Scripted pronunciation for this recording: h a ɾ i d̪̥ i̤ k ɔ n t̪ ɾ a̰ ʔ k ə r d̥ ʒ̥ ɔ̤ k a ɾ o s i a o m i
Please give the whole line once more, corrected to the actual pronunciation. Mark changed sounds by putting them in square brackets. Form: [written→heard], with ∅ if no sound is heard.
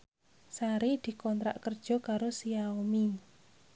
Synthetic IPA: [h→s] a ɾ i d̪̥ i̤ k ɔ n t̪ ɾ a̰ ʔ k ə r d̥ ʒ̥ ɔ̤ k a ɾ o s i a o m i